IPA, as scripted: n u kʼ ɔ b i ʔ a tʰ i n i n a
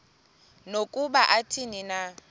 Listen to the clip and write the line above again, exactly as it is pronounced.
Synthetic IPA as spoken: n o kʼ u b a ʔ a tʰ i n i n a